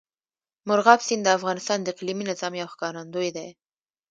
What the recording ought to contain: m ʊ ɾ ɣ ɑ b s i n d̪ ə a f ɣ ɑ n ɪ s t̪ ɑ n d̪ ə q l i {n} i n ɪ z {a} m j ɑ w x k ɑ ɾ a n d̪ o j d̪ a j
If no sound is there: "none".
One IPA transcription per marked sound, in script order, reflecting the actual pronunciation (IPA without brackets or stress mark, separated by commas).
m, ɑ